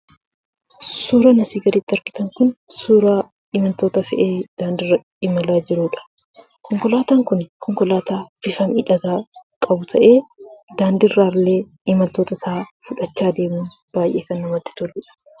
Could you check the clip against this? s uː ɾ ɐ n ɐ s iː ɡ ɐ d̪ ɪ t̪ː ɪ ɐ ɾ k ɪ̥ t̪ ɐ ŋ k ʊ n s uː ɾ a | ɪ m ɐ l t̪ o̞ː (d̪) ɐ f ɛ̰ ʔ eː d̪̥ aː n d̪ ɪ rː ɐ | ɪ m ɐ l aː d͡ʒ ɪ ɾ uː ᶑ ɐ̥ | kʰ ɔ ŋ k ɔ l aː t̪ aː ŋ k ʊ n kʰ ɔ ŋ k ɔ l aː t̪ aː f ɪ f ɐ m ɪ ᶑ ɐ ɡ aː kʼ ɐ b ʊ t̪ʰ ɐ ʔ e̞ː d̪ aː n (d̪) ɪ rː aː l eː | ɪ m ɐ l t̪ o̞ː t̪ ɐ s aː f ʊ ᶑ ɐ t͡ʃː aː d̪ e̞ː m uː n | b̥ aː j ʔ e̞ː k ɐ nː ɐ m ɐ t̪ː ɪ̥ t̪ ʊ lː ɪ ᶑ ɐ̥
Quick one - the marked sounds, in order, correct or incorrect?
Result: incorrect, correct

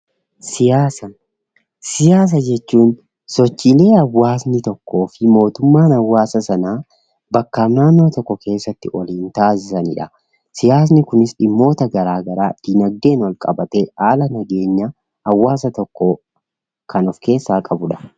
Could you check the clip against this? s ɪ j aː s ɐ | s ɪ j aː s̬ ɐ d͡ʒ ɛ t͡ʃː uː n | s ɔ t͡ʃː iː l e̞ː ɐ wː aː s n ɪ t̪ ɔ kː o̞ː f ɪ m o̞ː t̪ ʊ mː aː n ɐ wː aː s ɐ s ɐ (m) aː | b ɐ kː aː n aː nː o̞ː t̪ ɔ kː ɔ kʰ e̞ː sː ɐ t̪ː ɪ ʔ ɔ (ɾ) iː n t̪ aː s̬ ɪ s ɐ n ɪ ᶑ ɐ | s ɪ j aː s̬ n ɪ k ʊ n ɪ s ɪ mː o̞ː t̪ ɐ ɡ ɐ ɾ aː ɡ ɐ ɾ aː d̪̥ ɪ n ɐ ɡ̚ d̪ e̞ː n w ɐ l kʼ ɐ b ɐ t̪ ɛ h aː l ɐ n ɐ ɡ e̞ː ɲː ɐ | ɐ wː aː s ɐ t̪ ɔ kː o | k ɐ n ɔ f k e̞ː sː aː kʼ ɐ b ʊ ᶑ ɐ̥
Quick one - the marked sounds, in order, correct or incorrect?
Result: incorrect, incorrect

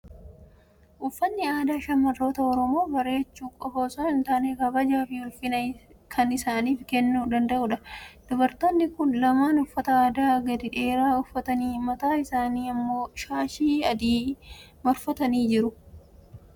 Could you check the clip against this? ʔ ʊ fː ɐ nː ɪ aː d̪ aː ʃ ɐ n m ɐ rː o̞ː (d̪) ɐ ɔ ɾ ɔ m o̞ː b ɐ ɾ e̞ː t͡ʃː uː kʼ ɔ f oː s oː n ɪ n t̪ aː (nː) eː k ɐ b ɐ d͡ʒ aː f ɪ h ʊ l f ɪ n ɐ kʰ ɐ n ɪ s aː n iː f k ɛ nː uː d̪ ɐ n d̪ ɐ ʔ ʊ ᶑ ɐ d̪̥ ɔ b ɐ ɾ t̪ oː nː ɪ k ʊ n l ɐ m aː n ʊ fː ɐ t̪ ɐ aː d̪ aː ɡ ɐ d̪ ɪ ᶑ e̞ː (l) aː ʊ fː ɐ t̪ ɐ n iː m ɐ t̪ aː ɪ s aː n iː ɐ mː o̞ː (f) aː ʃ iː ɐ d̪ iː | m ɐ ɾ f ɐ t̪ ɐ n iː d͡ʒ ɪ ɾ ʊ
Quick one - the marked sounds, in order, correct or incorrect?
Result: incorrect, incorrect, incorrect, incorrect

